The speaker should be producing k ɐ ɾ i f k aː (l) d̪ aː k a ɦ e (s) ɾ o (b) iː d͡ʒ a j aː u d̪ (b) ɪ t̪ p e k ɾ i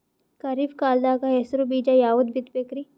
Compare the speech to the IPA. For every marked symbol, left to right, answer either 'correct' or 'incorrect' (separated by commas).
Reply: correct, correct, correct, correct